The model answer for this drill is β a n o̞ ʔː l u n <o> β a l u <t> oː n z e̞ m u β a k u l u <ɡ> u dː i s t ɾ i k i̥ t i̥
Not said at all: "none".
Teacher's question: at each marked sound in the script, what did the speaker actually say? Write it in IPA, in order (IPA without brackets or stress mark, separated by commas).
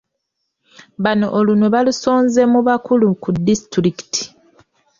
o, s, k